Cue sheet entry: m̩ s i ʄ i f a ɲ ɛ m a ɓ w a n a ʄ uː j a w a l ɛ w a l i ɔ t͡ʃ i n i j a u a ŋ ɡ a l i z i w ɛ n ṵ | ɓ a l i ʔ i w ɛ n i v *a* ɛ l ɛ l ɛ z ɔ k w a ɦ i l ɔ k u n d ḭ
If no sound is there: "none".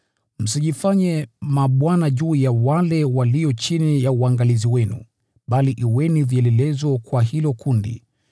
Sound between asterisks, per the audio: i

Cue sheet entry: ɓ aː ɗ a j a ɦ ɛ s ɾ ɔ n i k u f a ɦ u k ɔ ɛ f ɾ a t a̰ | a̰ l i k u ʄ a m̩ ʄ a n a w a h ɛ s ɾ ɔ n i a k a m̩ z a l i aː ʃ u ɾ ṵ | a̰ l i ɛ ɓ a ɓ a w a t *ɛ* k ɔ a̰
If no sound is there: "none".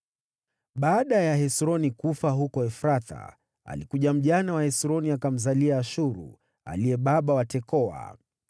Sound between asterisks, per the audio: ɛ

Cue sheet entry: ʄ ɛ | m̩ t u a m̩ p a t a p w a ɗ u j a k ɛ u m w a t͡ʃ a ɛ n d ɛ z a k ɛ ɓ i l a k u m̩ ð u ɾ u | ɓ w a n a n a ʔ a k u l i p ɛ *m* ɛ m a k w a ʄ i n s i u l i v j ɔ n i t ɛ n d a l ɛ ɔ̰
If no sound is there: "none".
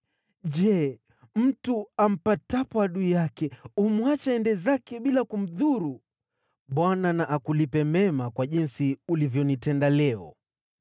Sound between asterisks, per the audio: m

